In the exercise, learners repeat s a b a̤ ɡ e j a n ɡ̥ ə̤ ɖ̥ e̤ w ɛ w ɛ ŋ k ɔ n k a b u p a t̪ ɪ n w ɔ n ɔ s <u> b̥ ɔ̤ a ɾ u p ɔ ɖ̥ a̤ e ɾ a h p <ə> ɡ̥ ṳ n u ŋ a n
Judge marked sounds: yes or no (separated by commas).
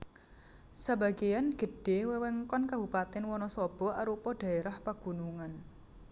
no, no